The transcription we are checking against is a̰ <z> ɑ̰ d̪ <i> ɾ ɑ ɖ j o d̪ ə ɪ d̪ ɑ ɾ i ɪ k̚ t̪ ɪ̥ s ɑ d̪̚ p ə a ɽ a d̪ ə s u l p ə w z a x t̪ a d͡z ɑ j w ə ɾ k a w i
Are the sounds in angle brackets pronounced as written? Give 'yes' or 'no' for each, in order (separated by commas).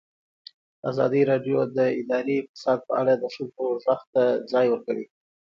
yes, yes